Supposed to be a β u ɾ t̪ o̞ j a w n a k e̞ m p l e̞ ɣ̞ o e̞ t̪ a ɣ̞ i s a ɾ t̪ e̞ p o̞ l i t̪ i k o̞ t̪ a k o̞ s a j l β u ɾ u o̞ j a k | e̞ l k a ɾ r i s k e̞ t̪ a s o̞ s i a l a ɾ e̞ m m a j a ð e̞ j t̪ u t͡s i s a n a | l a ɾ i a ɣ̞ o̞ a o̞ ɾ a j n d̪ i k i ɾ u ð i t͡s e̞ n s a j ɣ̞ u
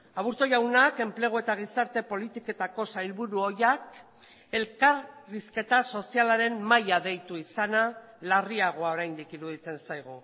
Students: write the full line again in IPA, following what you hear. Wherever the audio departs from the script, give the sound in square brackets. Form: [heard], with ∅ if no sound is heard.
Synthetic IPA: a β u ɾ t̪ o̞ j a w n a k e̞ m p l e̞ ɣ̞ o e̞ t̪ a ɣ̞ i s a ɾ t̪ e̞ p o̞ l i t̪ i k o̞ t̪ a k o̞ s a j l β u ɾ u o̞ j a k | e̞ l k a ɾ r i s k e̞ t̪ a s o̞ s i a l a ɾ e̞ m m a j a ð e̞ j t̪ u [∅] i s a n a | l a [r] i a ɣ̞ o̞ a o̞ ɾ a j n d̪ i k i ɾ u ð i t͡s e̞ n s a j ɣ̞ u